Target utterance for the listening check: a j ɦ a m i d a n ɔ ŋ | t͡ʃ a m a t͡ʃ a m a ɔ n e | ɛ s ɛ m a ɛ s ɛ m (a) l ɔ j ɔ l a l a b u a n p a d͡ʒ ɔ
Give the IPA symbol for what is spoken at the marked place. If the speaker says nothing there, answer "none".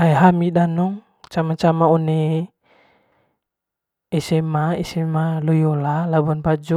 a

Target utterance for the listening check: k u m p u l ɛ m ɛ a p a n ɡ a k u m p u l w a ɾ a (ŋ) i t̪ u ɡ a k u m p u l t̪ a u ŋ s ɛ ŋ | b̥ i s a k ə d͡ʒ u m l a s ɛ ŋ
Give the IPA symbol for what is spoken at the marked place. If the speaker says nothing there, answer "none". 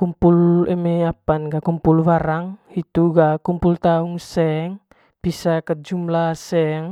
ŋ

